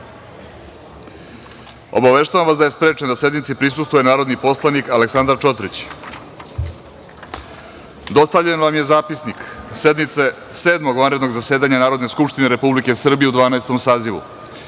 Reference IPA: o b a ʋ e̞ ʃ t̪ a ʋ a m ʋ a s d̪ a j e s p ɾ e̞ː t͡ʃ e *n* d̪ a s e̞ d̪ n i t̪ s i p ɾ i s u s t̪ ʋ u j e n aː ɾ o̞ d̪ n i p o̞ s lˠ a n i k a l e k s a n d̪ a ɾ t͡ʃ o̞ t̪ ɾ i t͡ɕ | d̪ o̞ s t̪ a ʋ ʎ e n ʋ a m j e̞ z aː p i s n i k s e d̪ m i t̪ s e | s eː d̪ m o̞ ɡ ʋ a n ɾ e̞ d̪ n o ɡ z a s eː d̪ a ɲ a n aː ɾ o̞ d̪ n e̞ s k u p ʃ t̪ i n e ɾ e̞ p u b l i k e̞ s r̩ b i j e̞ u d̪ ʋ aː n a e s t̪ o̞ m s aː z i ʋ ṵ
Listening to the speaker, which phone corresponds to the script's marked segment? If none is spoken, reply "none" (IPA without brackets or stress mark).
n